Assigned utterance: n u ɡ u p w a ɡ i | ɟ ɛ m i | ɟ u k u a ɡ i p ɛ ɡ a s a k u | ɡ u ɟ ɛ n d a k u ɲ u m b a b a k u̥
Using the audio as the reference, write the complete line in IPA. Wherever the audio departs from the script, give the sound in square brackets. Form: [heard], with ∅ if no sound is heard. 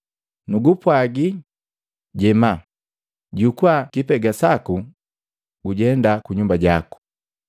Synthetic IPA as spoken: n u ɡ u p w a ɡ i | ɟ ɛ m [a] | ɟ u k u a [k] i p ɛ ɡ a s a k u | ɡ u ɟ ɛ n d a k u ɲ u m b a [ɟ] a k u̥